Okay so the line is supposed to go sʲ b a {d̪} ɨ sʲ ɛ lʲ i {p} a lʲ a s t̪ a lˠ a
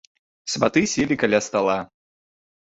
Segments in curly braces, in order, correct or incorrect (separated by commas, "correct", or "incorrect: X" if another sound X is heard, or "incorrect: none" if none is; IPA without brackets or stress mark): incorrect: t̪, incorrect: k